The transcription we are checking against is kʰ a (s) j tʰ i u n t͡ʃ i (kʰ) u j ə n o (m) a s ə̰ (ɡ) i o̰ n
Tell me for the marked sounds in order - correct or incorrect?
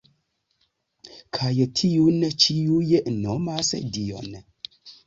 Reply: incorrect: none, incorrect: none, correct, incorrect: d

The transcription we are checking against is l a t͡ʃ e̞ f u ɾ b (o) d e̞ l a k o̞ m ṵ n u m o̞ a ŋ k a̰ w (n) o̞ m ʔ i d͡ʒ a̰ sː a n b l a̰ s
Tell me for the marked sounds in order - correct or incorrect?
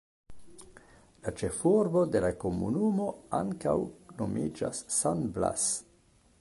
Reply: correct, correct

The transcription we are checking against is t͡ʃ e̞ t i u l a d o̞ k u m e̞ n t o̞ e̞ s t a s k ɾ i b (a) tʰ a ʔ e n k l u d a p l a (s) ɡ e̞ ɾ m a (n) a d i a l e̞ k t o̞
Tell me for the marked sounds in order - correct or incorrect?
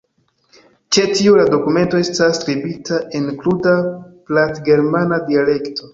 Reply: incorrect: i, incorrect: t, correct

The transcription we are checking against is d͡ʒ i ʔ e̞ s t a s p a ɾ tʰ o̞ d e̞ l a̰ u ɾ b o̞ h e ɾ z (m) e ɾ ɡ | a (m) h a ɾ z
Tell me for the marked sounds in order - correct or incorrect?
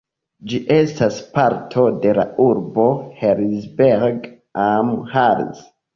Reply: incorrect: b, correct

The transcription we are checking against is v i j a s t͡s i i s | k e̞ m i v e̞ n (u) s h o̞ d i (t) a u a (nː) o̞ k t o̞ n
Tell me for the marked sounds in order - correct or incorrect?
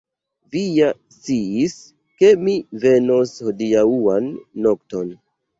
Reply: incorrect: o, incorrect: none, correct

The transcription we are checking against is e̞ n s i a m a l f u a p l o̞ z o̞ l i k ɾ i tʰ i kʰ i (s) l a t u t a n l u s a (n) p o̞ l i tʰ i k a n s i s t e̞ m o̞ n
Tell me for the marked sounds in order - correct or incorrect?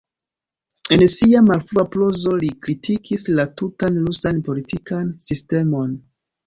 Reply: correct, correct

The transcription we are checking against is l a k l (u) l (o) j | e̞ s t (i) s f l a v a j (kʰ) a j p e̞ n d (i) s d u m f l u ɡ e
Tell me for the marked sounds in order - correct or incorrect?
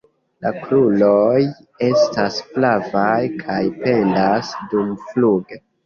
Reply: correct, correct, incorrect: a, correct, incorrect: a

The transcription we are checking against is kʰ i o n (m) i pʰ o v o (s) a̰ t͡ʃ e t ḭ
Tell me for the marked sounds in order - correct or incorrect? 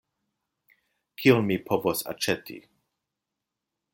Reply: correct, correct

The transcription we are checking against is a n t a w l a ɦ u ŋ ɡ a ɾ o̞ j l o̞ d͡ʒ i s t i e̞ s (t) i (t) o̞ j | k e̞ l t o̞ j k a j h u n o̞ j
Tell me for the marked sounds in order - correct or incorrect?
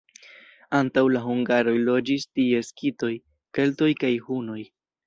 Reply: incorrect: k, correct

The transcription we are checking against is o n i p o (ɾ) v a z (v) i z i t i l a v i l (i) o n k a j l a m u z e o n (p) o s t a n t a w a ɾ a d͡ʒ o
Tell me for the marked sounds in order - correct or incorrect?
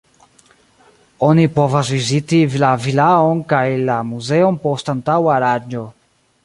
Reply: incorrect: none, correct, incorrect: a, correct

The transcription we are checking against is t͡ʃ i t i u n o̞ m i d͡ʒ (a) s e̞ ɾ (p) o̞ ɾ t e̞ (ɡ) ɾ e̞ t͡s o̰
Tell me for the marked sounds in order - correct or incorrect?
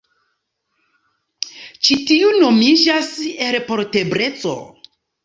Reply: correct, correct, incorrect: b

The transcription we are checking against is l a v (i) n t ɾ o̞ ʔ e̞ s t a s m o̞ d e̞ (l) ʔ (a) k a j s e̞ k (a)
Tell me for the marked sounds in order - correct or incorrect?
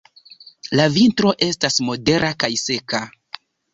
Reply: correct, incorrect: ɾ, correct, correct

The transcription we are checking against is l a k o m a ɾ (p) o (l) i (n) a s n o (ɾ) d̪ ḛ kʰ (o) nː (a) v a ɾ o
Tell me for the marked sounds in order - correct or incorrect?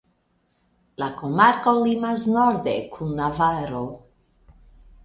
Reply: incorrect: k, correct, incorrect: m, correct, incorrect: u, correct

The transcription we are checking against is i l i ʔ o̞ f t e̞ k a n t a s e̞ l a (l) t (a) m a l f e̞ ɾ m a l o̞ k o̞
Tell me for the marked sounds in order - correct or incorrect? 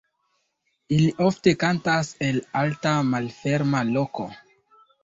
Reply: correct, correct

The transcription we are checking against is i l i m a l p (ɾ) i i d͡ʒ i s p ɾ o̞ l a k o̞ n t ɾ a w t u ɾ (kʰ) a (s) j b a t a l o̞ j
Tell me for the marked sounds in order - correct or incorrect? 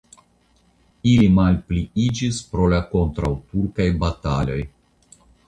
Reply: incorrect: l, incorrect: k, incorrect: none

